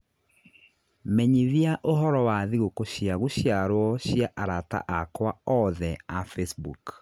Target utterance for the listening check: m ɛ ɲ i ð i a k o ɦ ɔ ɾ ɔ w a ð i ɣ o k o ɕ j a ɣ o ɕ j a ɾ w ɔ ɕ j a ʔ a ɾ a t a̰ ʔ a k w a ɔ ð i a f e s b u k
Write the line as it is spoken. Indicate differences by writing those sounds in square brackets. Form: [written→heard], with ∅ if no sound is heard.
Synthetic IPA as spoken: m ɛ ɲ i ð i a [k→ʔ] o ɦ ɔ ɾ ɔ w a ð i ɣ o k o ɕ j a ɣ o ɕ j a ɾ w ɔ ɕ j a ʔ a ɾ a t a̰ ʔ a k w a ɔ ð [i→ɛ] a f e s b u k